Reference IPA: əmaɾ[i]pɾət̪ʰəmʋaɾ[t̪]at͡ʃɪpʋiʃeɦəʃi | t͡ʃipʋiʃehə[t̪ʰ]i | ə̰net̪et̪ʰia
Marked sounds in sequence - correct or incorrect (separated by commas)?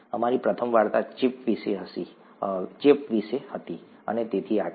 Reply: correct, correct, incorrect